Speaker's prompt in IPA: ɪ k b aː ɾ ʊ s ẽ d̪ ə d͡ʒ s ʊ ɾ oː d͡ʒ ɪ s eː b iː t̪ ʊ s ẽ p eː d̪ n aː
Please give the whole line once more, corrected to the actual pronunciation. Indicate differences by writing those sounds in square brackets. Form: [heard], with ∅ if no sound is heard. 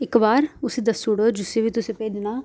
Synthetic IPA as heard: ɪ k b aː ɾ ʊ s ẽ d̪ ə [∅] s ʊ [ɽ] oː d͡ʒ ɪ s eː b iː t̪ ʊ s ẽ p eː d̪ n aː